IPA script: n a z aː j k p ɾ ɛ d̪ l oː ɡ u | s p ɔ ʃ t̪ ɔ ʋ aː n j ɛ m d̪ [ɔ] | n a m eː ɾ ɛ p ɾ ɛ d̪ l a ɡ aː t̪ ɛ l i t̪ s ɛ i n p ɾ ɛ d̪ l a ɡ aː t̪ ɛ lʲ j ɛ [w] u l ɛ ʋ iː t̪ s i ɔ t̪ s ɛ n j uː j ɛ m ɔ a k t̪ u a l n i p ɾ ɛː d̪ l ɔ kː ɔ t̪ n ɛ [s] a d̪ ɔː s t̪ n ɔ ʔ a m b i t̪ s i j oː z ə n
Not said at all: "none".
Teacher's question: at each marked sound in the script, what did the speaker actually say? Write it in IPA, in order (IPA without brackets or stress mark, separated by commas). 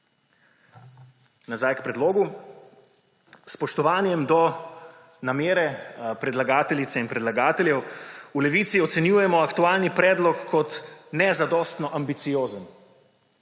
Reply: ɔ, w, z